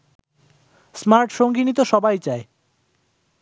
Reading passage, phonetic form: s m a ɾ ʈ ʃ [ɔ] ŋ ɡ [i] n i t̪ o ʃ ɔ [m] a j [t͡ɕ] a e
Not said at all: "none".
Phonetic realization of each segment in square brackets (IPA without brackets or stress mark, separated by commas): o, i, b, t͡ɕ